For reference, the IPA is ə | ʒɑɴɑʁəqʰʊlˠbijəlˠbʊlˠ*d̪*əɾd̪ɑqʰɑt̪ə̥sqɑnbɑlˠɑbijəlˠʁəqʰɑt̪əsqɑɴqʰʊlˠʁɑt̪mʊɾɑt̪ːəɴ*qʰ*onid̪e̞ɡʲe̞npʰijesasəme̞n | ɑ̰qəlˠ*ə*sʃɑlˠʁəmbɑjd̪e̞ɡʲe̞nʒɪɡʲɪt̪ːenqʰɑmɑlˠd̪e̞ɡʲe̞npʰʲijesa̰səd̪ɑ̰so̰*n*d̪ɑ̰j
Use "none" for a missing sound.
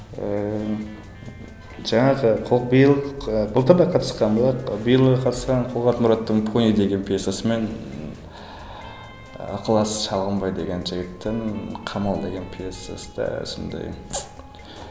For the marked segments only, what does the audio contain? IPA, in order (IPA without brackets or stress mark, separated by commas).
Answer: t̪, pʰ, ɑ, n